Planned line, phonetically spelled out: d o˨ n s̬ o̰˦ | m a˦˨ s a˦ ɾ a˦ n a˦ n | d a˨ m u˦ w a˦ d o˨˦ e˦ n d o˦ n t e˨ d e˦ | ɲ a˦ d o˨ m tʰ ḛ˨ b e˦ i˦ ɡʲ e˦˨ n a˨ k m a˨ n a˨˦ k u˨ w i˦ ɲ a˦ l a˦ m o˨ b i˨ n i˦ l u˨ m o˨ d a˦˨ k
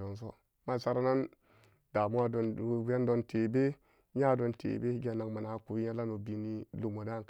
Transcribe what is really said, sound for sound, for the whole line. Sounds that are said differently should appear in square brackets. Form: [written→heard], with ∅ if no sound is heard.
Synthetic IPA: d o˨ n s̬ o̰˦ | m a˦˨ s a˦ ɾ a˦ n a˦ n | d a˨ m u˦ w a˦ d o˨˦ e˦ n d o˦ n t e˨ [d→b] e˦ | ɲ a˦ d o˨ [m→n] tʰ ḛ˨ b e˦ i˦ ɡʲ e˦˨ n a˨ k m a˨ n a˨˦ k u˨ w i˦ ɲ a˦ l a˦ [m→n] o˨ b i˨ n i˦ l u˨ m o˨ d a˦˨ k

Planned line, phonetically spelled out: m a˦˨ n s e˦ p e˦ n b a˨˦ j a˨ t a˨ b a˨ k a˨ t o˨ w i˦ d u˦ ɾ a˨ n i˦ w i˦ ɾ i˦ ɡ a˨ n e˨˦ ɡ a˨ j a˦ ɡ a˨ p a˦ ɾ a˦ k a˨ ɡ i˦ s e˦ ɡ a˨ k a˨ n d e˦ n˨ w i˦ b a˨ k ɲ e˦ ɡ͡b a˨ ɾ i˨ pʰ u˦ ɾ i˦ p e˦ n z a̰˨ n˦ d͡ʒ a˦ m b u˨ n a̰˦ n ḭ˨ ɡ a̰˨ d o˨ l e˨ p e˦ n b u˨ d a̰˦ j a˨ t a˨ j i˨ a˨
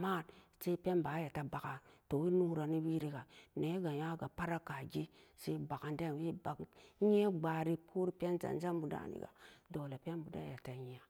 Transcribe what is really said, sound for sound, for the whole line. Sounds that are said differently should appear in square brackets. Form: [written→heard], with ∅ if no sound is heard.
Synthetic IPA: m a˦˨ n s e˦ p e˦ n b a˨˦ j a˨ t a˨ b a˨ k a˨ t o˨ w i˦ [d→n] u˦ ɾ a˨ n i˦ w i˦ ɾ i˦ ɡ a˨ n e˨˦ ɡ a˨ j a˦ ɡ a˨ p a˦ ɾ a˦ k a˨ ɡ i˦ s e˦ [ɡ→b] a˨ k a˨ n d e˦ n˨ w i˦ b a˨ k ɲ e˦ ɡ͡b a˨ ɾ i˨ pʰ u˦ ɾ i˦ p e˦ n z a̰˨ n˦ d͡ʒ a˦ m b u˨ [n→d] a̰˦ n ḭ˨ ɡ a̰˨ d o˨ l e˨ p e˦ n b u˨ d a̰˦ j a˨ t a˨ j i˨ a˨

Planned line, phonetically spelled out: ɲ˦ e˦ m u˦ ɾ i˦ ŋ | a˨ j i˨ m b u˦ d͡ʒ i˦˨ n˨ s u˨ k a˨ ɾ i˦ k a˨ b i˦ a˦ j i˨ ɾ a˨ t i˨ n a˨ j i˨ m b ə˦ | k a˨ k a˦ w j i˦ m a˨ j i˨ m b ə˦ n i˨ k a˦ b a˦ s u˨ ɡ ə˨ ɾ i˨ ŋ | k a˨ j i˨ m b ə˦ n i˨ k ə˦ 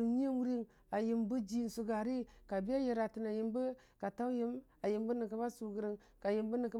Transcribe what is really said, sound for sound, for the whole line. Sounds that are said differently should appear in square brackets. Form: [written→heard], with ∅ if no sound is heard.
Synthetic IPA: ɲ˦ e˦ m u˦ ɾ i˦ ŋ | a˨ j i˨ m b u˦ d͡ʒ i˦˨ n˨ s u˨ [k→ɡ] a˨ ɾ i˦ k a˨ b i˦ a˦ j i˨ ɾ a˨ t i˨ n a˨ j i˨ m b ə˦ | k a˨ [k→t] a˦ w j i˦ m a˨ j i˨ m b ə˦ n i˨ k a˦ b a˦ s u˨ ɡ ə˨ ɾ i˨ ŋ | k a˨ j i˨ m b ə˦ n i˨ k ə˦

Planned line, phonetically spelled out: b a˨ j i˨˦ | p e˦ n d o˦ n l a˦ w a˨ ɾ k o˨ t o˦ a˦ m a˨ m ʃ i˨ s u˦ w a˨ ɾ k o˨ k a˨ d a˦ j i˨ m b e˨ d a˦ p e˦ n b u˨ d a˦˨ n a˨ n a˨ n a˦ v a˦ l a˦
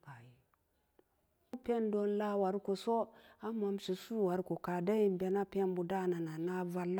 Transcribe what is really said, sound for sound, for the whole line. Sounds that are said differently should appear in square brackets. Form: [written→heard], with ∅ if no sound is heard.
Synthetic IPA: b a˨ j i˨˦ | p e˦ n d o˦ n l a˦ w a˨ ɾ k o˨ [t→s] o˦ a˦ m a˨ m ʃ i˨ s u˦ w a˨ ɾ k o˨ k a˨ d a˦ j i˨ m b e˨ [d→n] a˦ p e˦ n b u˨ d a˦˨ n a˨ n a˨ n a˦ v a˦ l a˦

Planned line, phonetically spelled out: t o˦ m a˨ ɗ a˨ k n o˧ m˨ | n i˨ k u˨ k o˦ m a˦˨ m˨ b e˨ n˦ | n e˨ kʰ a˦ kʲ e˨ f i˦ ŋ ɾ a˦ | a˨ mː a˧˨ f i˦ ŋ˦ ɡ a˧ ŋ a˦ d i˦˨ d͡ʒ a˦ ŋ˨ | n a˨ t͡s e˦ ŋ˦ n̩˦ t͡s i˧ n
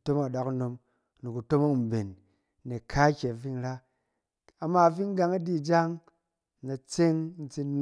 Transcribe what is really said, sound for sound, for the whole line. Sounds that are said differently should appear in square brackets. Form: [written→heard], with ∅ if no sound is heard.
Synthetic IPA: t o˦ m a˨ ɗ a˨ k n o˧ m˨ | n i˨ k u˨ [k→t] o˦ m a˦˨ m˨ b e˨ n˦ | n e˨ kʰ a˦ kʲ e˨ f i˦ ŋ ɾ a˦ | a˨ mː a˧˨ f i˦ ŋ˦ ɡ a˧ ŋ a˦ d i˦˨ d͡ʒ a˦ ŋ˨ | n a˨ t͡s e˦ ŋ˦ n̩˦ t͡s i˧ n

